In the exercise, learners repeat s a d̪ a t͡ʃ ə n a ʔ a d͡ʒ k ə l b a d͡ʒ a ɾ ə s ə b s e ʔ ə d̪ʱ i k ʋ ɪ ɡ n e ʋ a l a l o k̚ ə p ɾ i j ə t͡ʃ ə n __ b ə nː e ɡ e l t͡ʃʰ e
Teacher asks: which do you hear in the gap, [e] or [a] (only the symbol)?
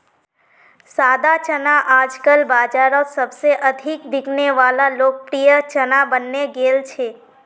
a